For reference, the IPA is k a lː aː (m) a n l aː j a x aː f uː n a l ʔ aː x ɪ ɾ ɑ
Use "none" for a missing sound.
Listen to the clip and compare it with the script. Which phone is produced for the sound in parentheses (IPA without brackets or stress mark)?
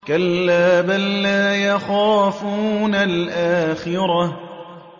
b